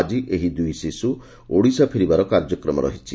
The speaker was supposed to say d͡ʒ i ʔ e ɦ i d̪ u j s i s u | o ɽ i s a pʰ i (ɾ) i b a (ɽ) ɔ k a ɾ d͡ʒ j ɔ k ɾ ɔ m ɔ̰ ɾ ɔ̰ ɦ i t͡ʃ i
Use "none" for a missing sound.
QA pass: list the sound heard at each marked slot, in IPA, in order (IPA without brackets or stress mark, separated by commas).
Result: ɾ, ɾ